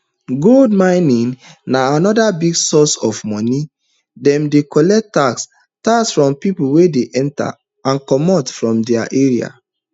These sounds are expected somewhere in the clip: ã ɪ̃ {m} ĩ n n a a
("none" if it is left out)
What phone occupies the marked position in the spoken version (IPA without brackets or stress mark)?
n